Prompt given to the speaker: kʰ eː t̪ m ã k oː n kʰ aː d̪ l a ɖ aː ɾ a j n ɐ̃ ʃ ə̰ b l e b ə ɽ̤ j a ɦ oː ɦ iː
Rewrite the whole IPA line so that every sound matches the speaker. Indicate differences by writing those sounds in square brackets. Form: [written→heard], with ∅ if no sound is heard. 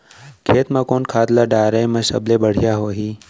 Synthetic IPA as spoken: kʰ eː t̪ m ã k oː n kʰ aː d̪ l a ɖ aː ɾ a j [n→m] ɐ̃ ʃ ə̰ b l e b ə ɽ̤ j a ɦ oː ɦ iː

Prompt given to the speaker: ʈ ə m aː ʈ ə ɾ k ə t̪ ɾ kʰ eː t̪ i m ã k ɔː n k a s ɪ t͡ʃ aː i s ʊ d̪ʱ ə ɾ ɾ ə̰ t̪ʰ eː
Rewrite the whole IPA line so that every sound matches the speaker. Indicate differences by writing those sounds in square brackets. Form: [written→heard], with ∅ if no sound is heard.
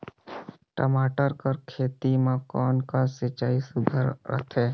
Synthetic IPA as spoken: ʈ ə m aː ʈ ə ɾ k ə [t̪→∅] ɾ kʰ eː t̪ i m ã k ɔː n k a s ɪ t͡ʃ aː i s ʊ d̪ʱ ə ɾ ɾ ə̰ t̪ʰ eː

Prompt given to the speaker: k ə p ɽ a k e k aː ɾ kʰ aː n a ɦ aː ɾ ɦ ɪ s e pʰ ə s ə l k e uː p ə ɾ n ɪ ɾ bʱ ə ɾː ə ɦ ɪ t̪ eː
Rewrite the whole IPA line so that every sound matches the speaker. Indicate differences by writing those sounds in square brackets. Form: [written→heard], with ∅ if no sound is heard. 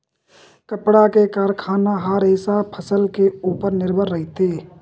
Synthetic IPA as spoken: k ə p ɽ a k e k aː ɾ kʰ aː n a ɦ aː ɾ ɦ ɪ s [e→a] pʰ ə s ə l k e uː p ə ɾ n ɪ ɾ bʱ ə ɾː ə ɦ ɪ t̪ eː

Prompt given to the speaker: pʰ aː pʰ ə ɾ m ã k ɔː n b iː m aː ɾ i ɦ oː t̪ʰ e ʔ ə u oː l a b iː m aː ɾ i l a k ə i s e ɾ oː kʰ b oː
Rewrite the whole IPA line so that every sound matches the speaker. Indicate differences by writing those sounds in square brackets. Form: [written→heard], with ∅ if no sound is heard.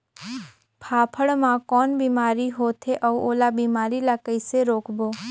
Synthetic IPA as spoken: pʰ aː pʰ ə [ɾ→ɽ] m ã k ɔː n b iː m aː ɾ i ɦ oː t̪ʰ e ʔ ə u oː l a b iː m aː ɾ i l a k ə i s e ɾ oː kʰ b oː

